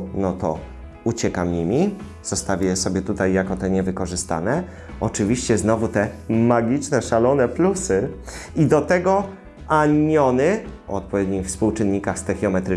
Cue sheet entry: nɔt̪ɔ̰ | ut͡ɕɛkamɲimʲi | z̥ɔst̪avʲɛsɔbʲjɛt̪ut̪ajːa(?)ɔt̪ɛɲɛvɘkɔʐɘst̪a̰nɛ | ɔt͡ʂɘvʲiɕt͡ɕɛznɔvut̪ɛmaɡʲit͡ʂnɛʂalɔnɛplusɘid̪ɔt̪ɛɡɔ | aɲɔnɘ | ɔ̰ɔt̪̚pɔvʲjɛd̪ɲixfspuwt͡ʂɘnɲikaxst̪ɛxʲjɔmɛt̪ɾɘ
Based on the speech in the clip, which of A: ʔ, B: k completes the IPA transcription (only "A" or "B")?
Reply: B